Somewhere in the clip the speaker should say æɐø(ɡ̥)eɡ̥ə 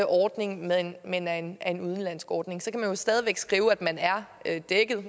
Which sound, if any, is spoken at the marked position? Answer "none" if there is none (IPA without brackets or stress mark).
d̥